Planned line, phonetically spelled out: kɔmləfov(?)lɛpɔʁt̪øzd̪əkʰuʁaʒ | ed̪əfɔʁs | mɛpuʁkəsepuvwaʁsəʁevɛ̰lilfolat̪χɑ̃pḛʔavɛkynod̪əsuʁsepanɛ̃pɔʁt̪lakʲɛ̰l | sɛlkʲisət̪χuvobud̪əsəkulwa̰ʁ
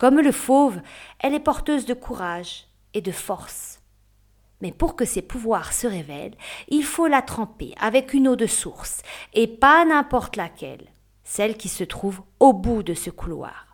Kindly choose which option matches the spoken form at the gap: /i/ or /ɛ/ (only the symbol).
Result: ɛ